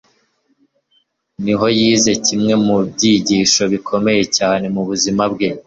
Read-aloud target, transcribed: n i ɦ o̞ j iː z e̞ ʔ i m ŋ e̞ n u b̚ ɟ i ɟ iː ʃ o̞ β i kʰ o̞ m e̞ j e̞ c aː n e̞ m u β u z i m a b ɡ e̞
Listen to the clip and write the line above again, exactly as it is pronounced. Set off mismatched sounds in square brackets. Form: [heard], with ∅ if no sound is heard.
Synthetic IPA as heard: n i ɦ o̞ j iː z e̞ [c] i m ŋ e̞ [m] u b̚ ɟ i ɟ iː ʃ o̞ β i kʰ o̞ m e̞ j e̞ c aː n e̞ m u β u z i m a b ɡ e̞